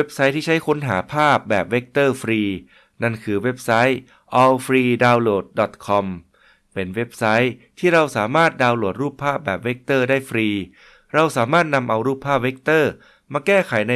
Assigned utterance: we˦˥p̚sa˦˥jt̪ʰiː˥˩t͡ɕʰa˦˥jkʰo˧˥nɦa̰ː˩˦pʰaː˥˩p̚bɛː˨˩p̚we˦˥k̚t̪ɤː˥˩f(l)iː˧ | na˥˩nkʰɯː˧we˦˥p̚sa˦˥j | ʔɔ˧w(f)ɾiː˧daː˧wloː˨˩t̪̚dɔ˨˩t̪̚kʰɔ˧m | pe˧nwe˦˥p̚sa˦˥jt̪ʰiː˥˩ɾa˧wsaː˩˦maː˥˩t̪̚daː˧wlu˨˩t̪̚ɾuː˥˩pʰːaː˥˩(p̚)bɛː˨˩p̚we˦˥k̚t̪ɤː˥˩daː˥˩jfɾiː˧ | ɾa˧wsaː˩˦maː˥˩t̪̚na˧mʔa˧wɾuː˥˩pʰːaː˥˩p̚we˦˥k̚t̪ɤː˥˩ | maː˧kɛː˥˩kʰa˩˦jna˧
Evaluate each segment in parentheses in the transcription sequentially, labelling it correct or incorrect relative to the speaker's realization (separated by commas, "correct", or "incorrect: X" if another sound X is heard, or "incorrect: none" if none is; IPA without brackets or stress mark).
incorrect: ɾ, correct, correct